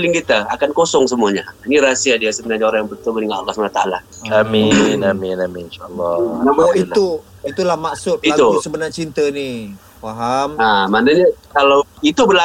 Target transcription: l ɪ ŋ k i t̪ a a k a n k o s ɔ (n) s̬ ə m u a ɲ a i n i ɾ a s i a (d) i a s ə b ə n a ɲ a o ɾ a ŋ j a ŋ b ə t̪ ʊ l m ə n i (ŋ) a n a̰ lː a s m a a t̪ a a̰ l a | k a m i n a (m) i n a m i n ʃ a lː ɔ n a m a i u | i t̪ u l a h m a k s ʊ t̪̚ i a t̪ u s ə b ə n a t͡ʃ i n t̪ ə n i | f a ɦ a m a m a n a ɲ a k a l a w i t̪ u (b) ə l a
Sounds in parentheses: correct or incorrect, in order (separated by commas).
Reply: incorrect, correct, correct, correct, correct